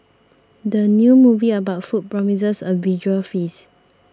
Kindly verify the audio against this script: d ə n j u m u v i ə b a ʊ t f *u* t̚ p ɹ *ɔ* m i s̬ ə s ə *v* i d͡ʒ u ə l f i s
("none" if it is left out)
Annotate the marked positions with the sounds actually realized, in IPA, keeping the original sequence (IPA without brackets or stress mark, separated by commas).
u, ɔ, v